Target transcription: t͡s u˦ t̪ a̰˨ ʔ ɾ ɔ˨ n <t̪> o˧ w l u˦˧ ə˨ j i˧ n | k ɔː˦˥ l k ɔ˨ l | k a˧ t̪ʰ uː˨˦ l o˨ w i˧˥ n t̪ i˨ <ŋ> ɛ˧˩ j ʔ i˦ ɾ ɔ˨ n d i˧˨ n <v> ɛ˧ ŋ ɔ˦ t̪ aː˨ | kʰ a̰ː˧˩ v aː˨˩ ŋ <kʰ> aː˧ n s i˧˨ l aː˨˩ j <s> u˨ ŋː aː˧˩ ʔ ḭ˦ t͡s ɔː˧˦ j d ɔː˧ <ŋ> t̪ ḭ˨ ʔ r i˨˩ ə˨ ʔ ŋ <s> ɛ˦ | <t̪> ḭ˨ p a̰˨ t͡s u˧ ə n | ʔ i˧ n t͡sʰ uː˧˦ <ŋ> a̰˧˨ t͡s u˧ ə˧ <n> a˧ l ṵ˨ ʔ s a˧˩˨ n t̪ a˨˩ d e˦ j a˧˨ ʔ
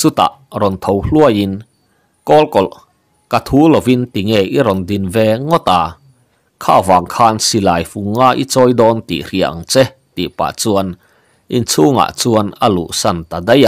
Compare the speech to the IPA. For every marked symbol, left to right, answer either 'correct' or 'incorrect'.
incorrect: t̪ʰ, correct, correct, correct, incorrect: f, incorrect: n, incorrect: t͡s, correct, correct, correct

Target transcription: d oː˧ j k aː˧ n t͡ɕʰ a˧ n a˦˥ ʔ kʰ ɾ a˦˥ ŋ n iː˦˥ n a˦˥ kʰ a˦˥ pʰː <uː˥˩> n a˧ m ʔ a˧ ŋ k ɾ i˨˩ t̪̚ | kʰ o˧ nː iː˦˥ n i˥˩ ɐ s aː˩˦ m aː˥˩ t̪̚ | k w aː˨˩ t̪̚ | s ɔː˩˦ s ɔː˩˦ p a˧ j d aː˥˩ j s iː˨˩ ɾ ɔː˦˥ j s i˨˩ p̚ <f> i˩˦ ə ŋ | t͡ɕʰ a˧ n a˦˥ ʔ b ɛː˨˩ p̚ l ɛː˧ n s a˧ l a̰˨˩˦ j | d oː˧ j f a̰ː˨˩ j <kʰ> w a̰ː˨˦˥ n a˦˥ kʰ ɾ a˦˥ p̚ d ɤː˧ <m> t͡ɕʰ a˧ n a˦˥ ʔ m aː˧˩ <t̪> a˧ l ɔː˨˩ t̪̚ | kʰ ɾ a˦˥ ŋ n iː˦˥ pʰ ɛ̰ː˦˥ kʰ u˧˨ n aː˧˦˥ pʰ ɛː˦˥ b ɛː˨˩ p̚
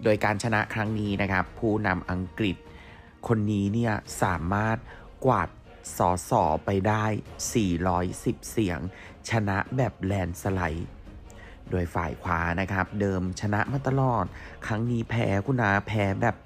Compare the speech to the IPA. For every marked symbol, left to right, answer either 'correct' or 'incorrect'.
correct, incorrect: s, correct, correct, correct

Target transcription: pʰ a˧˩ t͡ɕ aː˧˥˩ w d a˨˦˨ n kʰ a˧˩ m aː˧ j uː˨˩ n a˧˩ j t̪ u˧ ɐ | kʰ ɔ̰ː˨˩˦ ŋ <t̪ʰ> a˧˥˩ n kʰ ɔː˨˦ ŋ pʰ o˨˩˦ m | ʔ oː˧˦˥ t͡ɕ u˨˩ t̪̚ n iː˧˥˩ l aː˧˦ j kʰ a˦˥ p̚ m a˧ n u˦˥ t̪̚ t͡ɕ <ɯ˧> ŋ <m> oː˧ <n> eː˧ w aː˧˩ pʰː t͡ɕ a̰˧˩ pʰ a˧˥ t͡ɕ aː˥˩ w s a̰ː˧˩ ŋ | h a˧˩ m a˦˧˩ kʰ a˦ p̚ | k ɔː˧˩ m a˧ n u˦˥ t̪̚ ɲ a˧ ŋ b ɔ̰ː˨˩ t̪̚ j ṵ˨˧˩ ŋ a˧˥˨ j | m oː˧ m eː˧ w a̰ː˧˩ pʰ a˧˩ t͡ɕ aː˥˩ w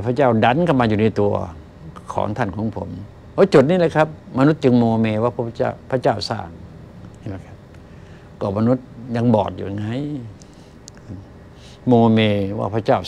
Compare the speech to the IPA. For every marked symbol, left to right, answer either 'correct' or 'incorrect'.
correct, correct, correct, incorrect: m

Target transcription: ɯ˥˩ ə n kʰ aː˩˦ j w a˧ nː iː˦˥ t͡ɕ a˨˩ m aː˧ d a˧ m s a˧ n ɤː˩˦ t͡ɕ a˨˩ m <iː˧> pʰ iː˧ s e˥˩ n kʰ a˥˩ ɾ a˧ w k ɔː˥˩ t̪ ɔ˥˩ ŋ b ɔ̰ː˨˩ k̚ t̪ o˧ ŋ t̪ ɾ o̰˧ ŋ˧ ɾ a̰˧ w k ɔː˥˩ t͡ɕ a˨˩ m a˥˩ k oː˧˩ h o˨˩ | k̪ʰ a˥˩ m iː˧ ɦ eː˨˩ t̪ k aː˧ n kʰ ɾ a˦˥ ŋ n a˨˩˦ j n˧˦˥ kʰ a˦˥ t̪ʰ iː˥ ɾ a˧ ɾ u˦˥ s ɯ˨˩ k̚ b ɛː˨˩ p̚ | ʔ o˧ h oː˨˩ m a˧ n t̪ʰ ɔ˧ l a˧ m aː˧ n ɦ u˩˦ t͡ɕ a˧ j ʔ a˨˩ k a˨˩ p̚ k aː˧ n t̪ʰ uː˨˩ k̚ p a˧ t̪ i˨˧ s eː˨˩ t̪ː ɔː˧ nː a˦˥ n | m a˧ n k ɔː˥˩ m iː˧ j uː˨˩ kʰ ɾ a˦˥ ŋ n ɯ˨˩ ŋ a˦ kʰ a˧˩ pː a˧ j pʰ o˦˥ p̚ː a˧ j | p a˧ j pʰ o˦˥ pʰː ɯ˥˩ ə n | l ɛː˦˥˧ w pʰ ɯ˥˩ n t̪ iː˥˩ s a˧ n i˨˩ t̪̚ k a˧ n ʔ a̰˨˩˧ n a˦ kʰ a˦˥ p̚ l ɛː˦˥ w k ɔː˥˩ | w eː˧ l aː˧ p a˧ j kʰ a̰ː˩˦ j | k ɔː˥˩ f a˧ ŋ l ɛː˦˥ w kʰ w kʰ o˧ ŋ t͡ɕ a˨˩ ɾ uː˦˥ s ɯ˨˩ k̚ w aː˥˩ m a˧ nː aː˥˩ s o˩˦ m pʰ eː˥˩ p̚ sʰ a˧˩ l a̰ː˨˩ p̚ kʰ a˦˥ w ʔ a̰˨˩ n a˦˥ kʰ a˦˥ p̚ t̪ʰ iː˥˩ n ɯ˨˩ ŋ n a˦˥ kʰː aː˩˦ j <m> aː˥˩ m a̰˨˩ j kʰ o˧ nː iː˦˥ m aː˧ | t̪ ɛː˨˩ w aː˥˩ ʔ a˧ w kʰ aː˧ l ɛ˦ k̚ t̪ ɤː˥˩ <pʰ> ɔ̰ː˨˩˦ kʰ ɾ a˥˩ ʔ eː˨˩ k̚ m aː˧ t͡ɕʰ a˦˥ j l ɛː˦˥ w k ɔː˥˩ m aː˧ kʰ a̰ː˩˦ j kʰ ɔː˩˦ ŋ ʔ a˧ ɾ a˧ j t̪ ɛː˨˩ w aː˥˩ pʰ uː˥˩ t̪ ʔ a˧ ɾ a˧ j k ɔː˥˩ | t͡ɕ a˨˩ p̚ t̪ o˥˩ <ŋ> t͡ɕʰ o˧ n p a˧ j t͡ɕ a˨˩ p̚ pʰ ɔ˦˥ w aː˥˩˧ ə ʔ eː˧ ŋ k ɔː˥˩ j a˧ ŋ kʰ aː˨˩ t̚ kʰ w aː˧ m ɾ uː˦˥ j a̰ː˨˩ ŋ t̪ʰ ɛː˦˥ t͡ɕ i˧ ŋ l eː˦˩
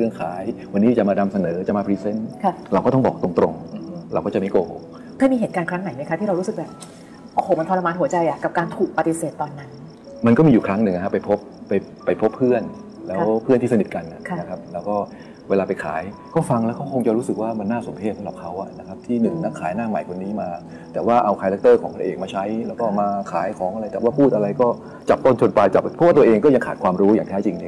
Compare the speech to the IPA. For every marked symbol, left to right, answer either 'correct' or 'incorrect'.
incorrect: aː˧, incorrect: n, incorrect: kʰ, incorrect: n

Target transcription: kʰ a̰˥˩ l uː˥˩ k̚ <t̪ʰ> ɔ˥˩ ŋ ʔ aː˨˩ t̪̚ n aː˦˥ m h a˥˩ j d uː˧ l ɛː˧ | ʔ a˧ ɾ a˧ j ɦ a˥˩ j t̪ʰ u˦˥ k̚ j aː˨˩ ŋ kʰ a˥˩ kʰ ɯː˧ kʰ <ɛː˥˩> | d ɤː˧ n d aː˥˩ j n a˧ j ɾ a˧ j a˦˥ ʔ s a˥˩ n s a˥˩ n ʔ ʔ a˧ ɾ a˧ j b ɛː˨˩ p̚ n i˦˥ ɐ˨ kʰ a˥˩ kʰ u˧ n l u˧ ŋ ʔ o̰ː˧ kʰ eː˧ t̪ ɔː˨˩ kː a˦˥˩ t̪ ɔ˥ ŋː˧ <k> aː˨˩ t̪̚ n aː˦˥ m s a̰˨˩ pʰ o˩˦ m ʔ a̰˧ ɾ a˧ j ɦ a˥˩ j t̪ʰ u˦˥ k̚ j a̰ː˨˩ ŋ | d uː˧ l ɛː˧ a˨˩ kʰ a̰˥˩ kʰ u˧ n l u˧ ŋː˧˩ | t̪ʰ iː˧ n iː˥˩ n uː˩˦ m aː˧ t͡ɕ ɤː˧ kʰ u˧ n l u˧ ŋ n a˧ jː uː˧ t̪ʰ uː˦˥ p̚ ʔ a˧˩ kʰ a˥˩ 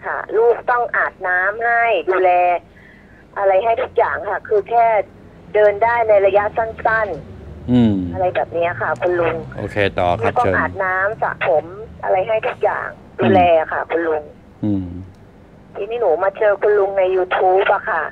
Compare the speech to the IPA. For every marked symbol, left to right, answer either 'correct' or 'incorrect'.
incorrect: t̪, correct, incorrect: ʔ

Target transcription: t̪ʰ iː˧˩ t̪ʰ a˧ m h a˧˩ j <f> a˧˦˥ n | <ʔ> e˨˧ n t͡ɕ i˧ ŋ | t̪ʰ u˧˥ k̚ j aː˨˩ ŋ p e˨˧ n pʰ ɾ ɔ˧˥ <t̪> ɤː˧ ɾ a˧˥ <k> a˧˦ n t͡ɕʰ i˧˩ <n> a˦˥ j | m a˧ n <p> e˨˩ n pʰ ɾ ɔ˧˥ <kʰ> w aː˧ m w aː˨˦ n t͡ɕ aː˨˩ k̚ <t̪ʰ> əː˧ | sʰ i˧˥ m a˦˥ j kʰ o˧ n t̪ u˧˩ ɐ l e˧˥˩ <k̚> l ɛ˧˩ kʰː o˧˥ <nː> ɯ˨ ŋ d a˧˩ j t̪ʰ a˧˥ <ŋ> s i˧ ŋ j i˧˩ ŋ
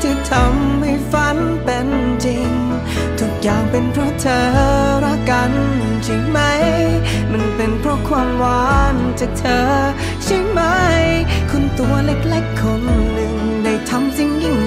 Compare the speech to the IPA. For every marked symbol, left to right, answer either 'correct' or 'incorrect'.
correct, incorrect: p, incorrect: t̪ʰ, correct, incorrect: m, correct, correct, correct, correct, correct, incorrect: m

